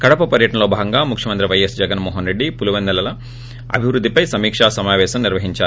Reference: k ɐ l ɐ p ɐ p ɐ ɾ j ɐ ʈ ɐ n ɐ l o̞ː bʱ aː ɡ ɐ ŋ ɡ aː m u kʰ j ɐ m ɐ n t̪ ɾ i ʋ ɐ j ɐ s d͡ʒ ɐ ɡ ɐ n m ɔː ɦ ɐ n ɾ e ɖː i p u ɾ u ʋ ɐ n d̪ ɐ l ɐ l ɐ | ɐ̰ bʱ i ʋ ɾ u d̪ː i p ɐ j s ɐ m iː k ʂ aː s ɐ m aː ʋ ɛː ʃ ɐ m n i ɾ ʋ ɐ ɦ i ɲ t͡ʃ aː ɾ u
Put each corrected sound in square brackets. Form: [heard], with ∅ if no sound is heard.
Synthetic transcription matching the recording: k ɐ [ɽ] ɐ p ɐ p ɐ ɾ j ɐ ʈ ɐ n ɐ l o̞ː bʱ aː ɡ ɐ ŋ ɡ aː m u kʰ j ɐ m ɐ n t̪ ɾ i ʋ ɐ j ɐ s d͡ʒ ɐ ɡ ɐ n m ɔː ɦ ɐ n ɾ e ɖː i p u [l] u ʋ ɐ n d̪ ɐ l ɐ l ɐ | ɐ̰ bʱ i ʋ ɾ u d̪ː i p ɐ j s ɐ m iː k ʂ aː s ɐ m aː ʋ ɛː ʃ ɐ m n i ɾ ʋ ɐ ɦ i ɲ t͡ʃ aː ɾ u